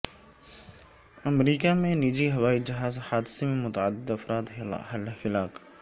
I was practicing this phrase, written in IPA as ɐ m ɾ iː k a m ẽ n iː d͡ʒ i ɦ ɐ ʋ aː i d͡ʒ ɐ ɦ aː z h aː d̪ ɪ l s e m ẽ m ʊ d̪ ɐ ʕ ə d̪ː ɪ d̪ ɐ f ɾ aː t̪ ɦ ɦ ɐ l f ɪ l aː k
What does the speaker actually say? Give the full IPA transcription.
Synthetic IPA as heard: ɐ m ɾ iː k a m ẽ n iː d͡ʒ i ɦ ɐ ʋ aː i d͡ʒ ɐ ɦ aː z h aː d̪ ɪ s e m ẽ m ʊ t̪ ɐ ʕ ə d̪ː ɪ d̪ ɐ f ɾ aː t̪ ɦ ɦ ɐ l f ɪ l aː k